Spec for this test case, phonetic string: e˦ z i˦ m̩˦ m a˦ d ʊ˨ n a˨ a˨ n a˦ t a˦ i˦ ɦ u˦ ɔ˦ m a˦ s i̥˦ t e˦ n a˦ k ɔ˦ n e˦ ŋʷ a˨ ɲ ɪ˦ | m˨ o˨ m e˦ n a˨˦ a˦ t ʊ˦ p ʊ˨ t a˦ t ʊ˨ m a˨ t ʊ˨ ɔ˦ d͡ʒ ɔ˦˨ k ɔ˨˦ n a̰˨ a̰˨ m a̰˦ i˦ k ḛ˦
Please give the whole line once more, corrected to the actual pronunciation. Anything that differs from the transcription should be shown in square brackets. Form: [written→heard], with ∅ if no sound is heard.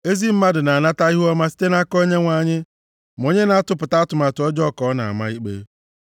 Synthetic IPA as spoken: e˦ z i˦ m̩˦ m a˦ d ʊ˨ n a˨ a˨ n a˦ t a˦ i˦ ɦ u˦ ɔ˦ m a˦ s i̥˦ t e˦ n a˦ k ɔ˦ [n→ɲ] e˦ ŋʷ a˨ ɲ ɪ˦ | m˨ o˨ [m→ɲ] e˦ n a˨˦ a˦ t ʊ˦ p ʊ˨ t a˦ t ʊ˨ m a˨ t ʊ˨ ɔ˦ d͡ʒ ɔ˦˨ k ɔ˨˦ n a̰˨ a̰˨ m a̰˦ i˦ [k→k͡p] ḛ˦